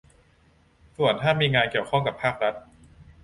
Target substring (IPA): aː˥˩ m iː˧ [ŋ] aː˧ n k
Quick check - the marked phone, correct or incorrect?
correct